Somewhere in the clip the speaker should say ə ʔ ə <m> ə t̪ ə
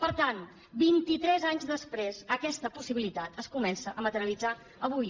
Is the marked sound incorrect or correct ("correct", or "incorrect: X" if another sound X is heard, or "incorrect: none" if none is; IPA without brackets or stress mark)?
correct